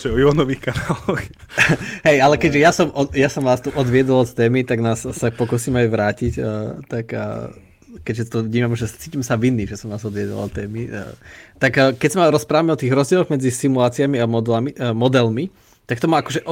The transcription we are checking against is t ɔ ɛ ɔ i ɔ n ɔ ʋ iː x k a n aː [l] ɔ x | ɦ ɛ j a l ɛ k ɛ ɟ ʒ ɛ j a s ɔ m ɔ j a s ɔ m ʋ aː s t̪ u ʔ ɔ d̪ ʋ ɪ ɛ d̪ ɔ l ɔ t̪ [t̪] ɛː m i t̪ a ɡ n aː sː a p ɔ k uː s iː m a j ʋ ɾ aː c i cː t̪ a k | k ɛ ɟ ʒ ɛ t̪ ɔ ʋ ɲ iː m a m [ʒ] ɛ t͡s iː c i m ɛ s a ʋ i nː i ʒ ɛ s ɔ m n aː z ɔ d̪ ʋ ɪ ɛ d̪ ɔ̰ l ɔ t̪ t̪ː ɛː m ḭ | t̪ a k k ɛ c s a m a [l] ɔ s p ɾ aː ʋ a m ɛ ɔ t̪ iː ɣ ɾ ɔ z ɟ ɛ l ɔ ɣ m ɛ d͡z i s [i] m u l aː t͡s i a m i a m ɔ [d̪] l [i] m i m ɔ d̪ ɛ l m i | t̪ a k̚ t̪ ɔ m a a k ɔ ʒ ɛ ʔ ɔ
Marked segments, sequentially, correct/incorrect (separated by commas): correct, correct, correct, incorrect, correct, correct, incorrect